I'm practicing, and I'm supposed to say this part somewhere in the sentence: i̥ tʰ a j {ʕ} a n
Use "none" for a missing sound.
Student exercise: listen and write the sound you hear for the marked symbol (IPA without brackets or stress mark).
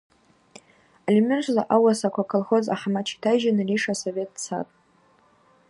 ʒ